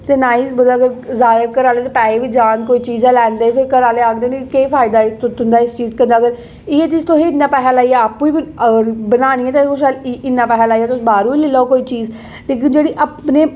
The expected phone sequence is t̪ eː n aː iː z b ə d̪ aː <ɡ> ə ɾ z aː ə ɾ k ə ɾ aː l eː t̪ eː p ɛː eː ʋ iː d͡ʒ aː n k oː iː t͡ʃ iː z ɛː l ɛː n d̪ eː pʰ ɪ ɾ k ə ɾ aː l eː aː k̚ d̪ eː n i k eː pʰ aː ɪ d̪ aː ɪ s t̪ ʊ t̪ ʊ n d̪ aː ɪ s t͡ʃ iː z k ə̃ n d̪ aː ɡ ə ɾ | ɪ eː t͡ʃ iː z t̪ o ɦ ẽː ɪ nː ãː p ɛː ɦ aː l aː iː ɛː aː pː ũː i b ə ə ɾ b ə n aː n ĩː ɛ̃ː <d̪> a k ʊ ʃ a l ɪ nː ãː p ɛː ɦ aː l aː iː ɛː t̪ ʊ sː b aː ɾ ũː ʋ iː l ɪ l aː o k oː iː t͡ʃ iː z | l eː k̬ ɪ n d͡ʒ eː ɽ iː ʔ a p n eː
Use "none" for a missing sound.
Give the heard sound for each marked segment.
ɡ, t̪

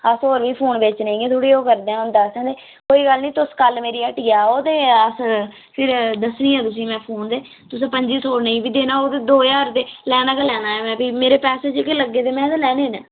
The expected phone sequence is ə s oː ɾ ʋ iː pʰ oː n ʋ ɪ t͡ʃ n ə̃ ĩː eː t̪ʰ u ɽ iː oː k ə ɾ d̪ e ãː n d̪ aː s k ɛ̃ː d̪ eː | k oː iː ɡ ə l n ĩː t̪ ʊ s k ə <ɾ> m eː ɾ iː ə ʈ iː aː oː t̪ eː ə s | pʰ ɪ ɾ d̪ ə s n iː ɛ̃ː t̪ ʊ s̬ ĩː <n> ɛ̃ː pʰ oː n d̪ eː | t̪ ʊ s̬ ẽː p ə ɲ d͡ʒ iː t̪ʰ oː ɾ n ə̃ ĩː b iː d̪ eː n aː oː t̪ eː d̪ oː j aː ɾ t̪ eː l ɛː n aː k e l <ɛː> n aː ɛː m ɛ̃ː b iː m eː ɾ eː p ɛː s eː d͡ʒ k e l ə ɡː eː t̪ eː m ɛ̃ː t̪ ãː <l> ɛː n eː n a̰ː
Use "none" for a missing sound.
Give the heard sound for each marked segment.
l, m, ɛː, l

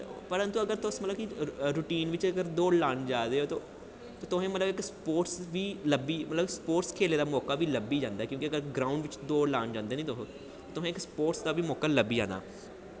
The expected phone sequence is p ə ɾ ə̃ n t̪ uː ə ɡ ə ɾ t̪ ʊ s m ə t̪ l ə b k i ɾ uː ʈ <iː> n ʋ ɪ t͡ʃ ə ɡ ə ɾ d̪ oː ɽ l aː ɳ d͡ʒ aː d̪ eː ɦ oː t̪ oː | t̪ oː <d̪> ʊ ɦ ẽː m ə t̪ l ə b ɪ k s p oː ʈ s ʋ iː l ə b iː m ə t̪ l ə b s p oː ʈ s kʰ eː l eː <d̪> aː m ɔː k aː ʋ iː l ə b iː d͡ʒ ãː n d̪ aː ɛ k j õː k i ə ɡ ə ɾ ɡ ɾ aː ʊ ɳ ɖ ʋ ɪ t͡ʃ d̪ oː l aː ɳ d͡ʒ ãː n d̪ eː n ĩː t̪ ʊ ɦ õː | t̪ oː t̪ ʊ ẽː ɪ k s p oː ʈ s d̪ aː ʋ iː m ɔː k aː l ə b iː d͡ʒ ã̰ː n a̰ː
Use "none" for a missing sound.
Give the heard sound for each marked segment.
iː, t̪, d̪

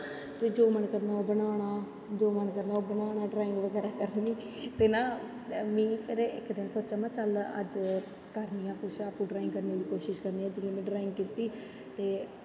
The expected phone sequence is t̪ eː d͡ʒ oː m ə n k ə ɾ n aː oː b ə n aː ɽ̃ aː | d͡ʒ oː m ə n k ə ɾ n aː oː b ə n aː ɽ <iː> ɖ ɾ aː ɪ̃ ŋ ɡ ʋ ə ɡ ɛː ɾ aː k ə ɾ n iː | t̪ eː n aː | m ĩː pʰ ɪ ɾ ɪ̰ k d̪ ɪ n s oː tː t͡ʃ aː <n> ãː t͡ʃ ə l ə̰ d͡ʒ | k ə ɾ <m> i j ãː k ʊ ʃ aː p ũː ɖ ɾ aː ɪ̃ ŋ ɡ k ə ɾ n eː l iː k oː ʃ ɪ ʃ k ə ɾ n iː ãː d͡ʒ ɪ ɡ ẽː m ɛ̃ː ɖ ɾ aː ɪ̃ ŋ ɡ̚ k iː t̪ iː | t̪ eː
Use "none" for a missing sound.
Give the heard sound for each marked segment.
aː, m, n

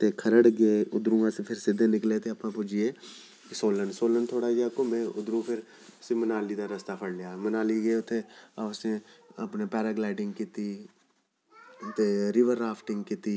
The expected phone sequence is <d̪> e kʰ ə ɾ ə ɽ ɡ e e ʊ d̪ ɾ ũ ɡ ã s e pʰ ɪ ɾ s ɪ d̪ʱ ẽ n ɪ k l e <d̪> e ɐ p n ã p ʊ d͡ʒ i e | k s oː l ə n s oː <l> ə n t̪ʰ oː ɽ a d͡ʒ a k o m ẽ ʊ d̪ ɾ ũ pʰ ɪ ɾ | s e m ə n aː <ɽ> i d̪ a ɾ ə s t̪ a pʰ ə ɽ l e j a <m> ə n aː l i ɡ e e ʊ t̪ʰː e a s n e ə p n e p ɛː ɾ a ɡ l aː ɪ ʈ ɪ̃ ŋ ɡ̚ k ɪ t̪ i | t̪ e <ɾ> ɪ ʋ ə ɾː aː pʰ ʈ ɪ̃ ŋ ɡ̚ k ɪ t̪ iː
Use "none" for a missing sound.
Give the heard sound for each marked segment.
t̪, t̪, l, l, m, ɾ

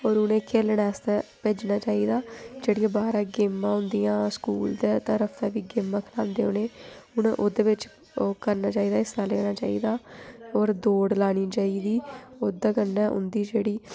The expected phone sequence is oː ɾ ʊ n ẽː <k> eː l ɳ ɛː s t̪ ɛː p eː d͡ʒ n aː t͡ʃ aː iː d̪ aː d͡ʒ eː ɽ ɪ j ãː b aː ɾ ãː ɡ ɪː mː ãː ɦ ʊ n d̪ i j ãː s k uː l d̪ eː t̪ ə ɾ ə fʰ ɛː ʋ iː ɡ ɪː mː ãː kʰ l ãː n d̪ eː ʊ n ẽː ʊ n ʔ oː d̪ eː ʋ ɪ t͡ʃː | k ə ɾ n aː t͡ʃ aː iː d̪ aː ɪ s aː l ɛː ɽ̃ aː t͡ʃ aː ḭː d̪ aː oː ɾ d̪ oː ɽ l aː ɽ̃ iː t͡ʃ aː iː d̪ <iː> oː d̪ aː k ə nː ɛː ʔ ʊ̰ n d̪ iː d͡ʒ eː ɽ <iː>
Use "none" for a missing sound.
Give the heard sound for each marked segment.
kʰ, iː, iː

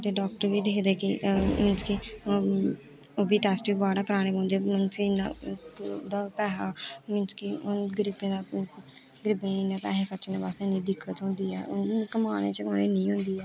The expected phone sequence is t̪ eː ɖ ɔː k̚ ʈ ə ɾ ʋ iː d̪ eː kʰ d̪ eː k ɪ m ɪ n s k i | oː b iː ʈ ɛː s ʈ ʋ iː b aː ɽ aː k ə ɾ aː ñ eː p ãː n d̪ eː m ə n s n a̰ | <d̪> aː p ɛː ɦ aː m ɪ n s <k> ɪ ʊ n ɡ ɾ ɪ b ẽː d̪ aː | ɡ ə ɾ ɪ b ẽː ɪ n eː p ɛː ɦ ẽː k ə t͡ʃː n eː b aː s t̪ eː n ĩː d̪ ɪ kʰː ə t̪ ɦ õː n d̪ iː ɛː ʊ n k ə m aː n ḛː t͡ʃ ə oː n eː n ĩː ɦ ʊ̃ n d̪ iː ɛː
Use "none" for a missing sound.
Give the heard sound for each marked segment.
d̪, k

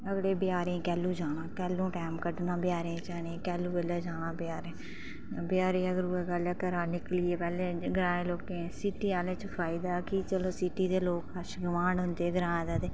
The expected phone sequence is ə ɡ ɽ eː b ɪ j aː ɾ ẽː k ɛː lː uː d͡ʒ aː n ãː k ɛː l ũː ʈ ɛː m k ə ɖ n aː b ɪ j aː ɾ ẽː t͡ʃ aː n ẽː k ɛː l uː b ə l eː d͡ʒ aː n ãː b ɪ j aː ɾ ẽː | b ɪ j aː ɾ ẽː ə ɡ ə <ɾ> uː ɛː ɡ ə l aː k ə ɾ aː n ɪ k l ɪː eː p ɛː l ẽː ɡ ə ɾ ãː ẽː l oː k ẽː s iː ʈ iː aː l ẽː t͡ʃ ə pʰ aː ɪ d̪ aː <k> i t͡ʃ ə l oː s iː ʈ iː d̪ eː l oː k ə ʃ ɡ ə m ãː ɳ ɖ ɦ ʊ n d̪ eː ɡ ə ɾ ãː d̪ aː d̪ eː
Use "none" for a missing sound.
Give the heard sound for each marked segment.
ɾ, k

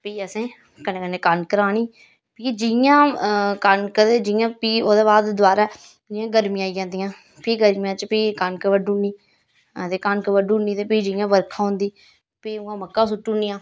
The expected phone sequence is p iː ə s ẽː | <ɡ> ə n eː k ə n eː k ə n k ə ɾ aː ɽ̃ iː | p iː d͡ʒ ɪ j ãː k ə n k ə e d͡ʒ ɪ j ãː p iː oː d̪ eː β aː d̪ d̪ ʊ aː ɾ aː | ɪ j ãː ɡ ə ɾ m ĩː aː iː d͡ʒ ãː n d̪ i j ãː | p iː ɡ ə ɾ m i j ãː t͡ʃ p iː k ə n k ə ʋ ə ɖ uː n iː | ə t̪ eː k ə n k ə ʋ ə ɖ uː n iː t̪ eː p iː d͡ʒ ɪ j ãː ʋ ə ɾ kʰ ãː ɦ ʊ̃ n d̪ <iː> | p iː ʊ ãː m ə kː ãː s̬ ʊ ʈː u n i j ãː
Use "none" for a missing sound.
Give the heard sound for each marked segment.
k, iː

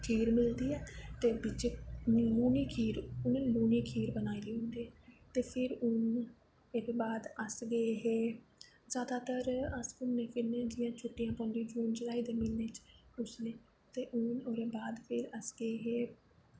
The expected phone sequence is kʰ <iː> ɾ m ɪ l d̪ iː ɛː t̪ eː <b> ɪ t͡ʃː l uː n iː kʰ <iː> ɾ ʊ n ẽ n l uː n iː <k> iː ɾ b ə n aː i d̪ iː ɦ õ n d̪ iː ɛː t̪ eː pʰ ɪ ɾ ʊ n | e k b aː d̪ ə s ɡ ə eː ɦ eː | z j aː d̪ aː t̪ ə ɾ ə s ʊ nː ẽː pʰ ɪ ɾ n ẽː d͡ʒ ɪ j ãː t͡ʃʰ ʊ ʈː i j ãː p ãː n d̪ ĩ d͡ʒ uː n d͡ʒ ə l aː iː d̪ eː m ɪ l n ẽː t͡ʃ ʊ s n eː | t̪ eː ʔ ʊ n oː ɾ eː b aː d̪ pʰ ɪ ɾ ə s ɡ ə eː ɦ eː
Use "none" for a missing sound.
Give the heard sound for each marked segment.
iː, b, iː, kʰ

